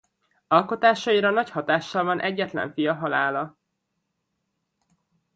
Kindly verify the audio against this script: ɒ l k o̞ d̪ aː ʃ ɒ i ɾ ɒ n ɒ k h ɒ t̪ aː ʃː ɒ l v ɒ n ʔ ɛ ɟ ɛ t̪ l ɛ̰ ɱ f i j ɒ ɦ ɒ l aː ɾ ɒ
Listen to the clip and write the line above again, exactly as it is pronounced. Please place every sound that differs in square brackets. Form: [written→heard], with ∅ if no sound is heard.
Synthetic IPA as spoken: ɒ l k o̞ [d̪→t̪] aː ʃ ɒ i ɾ ɒ n ɒ [k→c] h ɒ t̪ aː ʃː ɒ l v ɒ n ʔ ɛ [ɟ→ɟː] ɛ t̪ l ɛ̰ ɱ f i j ɒ ɦ ɒ l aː [ɾ→l] ɒ